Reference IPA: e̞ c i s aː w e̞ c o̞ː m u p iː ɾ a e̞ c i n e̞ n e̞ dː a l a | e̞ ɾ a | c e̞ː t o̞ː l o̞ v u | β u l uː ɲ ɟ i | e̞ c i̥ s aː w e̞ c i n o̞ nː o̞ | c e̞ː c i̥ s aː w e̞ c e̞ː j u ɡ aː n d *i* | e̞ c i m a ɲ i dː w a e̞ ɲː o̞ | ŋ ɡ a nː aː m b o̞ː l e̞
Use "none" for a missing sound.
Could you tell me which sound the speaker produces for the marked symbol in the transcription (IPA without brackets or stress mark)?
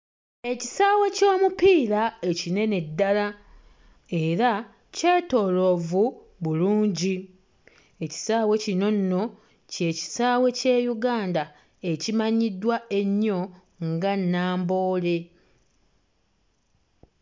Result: a